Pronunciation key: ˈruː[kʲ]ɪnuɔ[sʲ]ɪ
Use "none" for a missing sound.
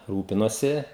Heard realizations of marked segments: pʲ, sʲ

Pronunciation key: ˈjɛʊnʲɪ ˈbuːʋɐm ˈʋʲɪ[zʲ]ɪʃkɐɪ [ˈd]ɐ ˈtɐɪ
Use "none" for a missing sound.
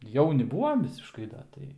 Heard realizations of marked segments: sʲ, d

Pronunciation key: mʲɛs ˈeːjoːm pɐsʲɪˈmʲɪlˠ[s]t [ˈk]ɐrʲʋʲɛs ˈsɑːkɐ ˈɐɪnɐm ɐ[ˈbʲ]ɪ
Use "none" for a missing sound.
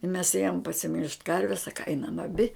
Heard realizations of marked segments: ʃ, k, bʲ

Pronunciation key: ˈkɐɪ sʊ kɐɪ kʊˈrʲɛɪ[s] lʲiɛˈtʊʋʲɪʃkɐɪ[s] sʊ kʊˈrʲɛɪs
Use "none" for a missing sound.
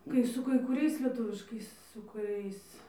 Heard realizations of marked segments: s, s

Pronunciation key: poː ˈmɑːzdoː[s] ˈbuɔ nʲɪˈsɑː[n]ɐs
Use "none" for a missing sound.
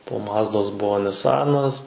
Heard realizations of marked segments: s, n

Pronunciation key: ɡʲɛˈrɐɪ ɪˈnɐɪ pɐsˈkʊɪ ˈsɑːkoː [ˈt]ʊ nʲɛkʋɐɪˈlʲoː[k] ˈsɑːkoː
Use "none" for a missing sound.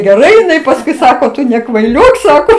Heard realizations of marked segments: t, k

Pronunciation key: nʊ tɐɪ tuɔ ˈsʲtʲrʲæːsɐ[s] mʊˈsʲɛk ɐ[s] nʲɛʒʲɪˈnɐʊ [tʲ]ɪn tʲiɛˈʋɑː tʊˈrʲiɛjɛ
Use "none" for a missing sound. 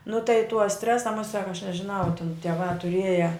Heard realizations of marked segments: none, ʃ, tʲ

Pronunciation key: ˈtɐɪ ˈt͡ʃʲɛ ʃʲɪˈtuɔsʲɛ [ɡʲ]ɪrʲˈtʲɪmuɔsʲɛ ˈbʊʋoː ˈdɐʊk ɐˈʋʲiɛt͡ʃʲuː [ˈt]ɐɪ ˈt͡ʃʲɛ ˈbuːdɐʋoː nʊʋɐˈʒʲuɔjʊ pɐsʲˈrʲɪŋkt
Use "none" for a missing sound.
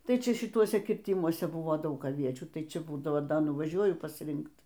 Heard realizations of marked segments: kʲ, t

